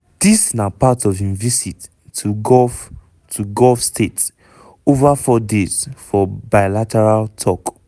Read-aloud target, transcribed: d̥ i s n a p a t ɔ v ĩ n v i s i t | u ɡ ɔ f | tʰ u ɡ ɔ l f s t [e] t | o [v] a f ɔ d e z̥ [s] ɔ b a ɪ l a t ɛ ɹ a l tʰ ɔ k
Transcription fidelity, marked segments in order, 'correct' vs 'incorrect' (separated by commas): correct, correct, incorrect